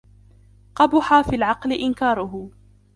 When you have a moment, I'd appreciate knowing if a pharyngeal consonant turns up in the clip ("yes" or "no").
yes